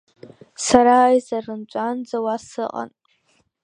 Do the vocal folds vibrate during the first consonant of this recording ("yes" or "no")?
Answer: no